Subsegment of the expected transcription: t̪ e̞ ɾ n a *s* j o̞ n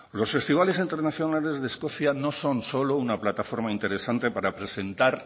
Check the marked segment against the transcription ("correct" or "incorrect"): incorrect